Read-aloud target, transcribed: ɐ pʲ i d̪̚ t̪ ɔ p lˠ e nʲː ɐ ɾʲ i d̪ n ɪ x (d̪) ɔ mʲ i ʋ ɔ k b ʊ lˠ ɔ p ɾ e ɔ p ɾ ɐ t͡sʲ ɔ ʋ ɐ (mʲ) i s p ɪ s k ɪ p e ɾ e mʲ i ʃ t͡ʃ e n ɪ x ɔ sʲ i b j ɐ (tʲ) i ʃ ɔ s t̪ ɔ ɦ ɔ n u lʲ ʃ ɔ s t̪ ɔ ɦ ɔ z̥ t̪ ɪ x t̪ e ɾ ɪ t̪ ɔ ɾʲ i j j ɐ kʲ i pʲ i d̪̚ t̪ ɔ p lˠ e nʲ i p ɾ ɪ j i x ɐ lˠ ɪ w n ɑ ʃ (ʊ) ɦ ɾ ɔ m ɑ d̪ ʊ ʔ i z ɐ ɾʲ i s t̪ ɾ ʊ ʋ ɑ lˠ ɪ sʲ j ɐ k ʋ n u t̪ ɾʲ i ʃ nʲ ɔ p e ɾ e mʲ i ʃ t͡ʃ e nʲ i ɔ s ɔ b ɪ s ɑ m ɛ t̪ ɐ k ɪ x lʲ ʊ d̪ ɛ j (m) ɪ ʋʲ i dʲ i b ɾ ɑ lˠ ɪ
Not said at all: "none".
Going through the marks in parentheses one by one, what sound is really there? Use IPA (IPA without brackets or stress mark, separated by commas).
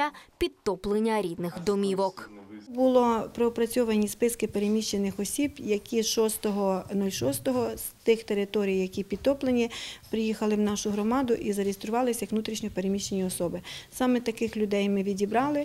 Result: d̪, nʲ, kʲ, ʊ, m